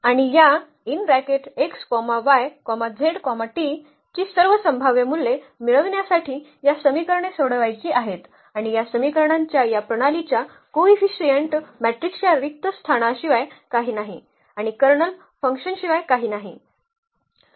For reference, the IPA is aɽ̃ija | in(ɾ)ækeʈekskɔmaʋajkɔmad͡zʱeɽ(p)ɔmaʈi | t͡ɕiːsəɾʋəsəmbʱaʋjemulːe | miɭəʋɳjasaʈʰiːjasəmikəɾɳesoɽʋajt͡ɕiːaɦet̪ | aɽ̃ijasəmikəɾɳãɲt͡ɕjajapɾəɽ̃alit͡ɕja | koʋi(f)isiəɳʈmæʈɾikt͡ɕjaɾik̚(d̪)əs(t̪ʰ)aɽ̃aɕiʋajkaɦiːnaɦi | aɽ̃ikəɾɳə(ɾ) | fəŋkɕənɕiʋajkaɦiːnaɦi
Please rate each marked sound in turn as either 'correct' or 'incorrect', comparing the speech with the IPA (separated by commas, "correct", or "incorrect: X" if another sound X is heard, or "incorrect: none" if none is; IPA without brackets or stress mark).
correct, incorrect: k, correct, incorrect: t̪, correct, incorrect: l